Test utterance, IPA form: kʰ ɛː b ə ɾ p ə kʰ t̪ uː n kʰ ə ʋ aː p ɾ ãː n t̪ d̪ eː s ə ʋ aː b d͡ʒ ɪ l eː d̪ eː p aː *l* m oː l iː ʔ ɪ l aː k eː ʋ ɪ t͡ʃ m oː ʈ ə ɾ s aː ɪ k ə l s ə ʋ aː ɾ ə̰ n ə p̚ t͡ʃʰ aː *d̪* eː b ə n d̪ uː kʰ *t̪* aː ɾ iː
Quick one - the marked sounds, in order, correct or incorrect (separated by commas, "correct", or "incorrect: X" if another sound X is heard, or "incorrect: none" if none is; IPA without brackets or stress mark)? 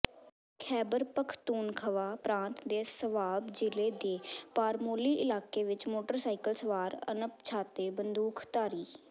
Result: incorrect: ɾ, incorrect: t̪, correct